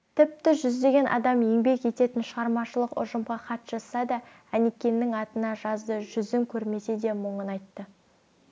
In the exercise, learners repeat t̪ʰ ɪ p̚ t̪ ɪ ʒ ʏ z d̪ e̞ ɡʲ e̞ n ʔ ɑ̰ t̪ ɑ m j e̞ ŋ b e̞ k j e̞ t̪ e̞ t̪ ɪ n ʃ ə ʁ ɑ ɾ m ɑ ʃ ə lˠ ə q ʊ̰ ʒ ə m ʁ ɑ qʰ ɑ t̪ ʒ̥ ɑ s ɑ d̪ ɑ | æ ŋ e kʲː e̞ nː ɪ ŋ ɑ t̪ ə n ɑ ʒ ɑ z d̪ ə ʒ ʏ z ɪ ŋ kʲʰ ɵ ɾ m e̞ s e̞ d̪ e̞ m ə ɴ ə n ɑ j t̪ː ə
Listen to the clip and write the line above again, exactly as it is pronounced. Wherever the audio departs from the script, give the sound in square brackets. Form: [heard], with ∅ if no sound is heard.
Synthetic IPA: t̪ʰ ɪ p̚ t̪ ɪ ʒ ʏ z d̪ e̞ ɡʲ e̞ n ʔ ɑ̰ [d̪] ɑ m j e̞ ŋ b e̞ k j e̞ t̪ e̞ t̪ ɪ n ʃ ə ʁ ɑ ɾ m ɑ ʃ ə lˠ ə q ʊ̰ ʒ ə m ʁ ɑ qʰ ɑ t̪ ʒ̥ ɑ s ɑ d̪ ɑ | æ [n] e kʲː e̞ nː ɪ ŋ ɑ t̪ ə n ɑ ʒ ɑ z d̪ ə ʒ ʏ z ɪ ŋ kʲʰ ɵ ɾ m e̞ s e̞ d̪ e̞ m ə ɴ ə n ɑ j t̪ː ə